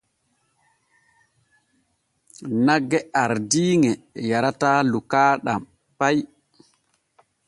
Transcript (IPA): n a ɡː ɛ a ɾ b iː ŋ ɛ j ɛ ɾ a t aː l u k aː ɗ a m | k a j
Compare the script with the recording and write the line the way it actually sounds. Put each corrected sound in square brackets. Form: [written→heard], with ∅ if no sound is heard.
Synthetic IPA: n a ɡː ɛ a ɾ [b→d] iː ŋ ɛ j [ɛ→a] ɾ a t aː l u k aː ɗ a m | [k→p] a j